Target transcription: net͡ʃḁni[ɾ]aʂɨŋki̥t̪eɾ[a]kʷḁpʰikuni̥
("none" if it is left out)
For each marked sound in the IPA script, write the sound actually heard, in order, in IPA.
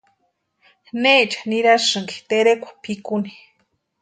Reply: ɾ, e

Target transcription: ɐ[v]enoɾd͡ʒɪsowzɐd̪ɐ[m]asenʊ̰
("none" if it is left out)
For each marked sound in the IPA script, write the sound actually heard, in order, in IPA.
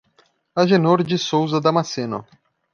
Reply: ʒ, m

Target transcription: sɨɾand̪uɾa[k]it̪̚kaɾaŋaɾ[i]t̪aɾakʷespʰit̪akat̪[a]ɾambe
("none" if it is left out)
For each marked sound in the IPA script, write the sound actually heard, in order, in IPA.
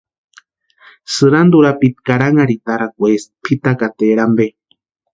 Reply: p, i, e

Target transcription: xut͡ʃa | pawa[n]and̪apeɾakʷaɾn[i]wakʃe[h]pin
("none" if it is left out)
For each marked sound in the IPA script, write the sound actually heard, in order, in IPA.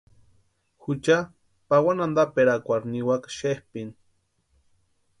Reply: n, i, h

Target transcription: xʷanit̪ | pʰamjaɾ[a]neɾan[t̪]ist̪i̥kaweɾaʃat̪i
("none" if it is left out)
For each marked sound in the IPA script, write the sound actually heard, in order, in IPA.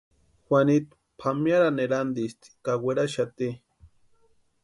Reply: a, d̪

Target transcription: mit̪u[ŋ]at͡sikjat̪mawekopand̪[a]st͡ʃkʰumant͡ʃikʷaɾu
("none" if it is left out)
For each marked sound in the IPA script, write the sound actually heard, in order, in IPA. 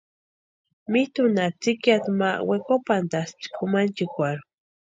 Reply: n, a

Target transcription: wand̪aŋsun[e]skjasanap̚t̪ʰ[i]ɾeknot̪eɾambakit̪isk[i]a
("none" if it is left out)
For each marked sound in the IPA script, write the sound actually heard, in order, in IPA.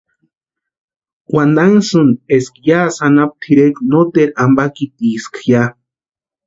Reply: e, i, j

